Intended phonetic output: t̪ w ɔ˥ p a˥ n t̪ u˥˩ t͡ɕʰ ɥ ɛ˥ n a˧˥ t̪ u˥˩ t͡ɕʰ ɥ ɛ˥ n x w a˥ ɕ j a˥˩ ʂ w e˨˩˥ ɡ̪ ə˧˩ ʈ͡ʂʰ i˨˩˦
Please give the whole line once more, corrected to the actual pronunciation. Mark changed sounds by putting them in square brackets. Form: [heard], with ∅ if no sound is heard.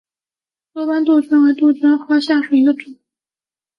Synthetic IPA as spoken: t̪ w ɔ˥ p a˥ n t̪ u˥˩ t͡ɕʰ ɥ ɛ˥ n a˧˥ t̪ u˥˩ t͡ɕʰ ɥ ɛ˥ n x w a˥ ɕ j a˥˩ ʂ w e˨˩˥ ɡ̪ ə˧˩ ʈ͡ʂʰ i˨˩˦